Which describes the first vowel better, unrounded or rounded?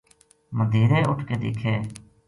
unrounded